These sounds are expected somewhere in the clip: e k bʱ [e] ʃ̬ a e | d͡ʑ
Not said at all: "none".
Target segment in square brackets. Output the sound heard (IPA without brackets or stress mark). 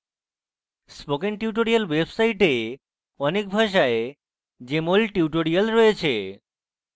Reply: a